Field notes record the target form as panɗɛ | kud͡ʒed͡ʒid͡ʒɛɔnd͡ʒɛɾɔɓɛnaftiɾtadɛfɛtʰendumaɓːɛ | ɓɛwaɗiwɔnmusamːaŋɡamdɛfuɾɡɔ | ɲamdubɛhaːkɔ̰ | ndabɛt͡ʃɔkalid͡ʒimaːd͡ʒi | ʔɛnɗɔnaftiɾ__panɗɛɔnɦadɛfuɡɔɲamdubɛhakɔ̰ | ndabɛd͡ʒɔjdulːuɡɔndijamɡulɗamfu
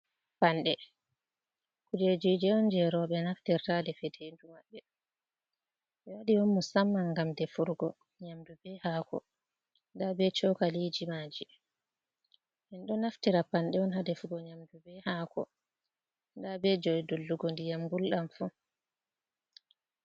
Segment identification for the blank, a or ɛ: a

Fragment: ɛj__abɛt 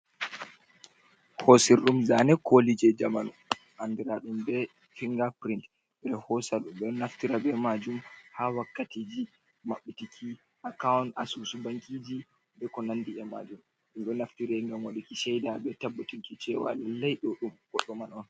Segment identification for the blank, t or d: d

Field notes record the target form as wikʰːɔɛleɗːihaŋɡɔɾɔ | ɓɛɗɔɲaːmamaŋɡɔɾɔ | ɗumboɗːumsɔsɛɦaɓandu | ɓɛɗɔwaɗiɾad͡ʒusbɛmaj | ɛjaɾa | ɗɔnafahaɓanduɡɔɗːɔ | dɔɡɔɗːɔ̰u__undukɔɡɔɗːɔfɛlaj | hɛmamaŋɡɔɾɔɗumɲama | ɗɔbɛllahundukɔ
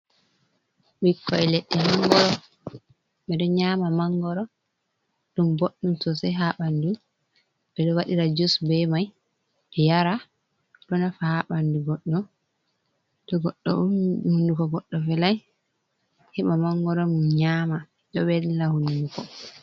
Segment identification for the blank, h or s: h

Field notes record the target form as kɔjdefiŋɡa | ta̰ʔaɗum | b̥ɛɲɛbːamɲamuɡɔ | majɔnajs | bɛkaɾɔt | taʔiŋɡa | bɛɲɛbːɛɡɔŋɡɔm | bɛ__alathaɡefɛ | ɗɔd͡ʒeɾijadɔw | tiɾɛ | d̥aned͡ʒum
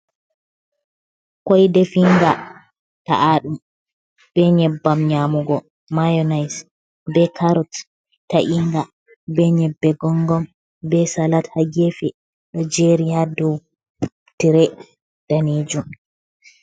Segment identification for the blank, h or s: s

